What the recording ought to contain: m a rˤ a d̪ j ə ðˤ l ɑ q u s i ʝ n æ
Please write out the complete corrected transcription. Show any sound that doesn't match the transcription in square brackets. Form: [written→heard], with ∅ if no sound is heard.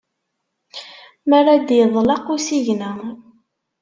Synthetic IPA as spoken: m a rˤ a d̪ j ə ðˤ l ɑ q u s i ʝ n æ

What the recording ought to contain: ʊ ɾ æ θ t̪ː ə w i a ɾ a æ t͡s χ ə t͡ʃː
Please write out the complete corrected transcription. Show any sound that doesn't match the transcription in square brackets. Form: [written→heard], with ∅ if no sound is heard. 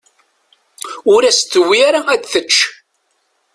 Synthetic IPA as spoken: ʊ ɾ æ [θ→s] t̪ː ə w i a ɾ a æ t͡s [χ→θ] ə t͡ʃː

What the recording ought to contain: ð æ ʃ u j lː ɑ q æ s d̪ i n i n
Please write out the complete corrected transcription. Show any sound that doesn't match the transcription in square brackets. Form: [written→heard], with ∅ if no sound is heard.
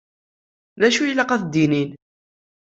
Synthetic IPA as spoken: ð æ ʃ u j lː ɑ q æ [s→θ] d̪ i n i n

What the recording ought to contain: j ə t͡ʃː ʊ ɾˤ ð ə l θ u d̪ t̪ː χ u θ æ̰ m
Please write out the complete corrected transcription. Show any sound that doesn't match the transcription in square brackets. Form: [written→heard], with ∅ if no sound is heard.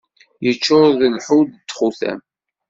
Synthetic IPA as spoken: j ə t͡ʃː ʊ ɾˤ ð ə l [θ→ħ] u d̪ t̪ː χ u θ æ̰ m

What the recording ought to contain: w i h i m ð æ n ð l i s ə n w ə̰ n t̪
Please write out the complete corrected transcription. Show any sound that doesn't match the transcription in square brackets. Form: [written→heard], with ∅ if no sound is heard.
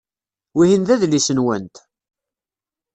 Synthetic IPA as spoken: w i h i [m→n] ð æ [n→∅] ð l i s ə n w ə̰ n t̪

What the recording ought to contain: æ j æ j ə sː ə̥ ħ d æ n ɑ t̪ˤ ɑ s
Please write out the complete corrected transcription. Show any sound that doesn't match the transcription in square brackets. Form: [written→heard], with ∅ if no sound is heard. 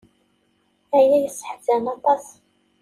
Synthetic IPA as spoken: æ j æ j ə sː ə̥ ħ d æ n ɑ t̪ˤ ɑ s

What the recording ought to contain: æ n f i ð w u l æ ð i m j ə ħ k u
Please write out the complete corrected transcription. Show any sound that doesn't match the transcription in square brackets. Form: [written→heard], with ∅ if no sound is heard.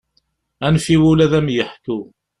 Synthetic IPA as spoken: æ n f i [ð→∅] w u l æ ð [i→æ] m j ə ħ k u

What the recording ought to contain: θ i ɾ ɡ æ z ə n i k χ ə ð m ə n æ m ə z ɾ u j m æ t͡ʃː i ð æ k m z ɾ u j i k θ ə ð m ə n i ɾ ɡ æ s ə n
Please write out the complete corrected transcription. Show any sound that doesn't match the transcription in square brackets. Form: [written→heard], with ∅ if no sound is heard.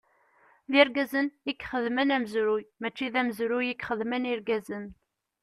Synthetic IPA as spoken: [θ→ð] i ɾ ɡ æ z ə n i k χ ə ð m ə n æ m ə z ɾ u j m æ t͡ʃː i ð æ [k→∅] m z ɾ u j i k [θ→χ] ə ð m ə n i ɾ ɡ æ [s→z] ə n

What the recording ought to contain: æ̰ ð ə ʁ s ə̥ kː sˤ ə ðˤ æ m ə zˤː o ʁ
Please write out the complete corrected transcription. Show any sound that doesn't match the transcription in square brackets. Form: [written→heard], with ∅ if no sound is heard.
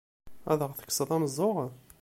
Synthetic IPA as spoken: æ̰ ð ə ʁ [s→θ] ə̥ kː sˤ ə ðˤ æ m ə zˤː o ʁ

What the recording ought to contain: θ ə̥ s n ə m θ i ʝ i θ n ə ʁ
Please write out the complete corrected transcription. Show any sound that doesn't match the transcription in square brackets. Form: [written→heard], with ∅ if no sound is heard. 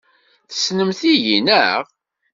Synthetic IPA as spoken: θ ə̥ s n ə m θ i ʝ i [θ→∅] n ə ʁ

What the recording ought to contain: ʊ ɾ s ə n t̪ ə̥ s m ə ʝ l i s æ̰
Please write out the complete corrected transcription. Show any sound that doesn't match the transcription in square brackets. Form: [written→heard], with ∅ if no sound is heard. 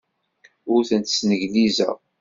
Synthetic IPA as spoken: ʊ ɾ [s→θ] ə n t̪ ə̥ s [m→n] ə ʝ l i [s→z] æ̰

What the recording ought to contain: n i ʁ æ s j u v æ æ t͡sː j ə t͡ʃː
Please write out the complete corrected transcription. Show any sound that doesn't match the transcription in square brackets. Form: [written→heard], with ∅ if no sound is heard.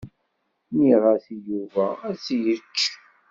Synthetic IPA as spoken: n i ʁ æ [s→θ] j u v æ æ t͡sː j ə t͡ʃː

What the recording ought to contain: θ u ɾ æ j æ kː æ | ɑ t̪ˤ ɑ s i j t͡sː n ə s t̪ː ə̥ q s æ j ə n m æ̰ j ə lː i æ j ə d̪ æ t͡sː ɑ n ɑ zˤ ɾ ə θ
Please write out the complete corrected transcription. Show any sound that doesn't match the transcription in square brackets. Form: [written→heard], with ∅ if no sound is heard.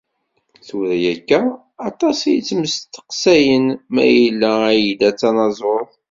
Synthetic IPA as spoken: θ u ɾ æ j æ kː æ | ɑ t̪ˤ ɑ s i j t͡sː [n→m] ə s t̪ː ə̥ q s æ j ə n m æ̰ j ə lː [i→æ] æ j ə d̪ æ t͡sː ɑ n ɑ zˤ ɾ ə θ

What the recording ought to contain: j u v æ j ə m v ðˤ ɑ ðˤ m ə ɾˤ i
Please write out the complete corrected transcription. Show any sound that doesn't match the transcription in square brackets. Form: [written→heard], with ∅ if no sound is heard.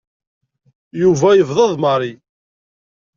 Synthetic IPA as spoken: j u v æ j ə [m→∅] v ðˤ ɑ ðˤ m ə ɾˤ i

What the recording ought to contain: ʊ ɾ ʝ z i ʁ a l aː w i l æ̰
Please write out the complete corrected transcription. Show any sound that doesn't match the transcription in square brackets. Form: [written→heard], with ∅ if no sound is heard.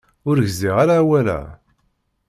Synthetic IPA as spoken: ʊ ɾ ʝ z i ʁ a [l→ɾ] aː w [i→æ] l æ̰

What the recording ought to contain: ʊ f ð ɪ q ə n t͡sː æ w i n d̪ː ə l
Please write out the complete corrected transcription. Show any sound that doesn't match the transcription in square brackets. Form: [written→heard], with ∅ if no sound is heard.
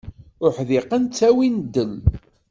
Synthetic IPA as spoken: ʊ [f→ħ] ð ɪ q ə n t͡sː æ w i n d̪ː ə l

